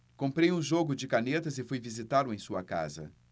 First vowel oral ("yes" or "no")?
no